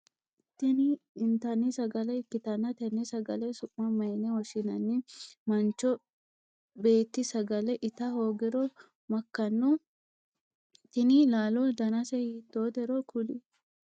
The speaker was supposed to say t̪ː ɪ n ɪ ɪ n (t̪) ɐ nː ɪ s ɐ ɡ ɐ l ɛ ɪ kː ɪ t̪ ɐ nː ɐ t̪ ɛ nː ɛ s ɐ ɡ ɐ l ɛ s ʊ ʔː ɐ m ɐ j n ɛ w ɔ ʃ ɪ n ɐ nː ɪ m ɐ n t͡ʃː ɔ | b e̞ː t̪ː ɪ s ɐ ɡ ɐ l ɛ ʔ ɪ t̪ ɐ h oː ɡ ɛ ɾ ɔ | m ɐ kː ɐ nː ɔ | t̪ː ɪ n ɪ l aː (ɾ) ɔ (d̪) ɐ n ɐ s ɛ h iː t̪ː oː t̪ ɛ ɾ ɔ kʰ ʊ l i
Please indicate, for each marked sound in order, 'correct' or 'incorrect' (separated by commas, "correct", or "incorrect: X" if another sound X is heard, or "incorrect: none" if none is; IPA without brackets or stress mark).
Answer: correct, incorrect: l, correct